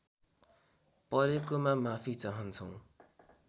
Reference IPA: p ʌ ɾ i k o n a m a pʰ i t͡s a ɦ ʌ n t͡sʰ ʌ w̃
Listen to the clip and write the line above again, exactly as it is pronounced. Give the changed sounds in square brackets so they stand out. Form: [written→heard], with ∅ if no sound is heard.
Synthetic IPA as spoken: p ʌ ɾ [i→e] k o [n→m] a m a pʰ i t͡s a ɦ ʌ n t͡sʰ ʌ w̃